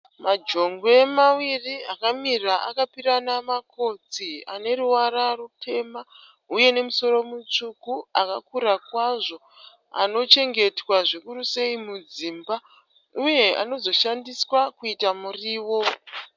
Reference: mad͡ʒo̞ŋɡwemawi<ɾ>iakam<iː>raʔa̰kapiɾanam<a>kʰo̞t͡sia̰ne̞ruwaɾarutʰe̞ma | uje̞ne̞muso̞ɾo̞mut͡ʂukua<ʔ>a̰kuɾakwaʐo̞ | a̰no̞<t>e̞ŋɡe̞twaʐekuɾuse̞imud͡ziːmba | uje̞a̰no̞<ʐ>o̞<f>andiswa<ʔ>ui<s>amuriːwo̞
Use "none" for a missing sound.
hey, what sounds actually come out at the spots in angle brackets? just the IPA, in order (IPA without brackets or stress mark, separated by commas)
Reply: r, i, a, k, t͡ʃ, z, ʃ, k, t